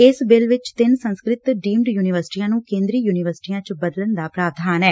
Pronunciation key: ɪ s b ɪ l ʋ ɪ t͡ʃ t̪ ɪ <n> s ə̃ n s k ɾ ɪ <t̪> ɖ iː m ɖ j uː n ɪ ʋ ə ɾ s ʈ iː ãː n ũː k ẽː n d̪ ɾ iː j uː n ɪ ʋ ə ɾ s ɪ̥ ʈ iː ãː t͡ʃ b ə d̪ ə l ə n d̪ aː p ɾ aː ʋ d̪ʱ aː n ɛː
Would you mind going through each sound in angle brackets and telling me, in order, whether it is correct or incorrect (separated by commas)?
correct, correct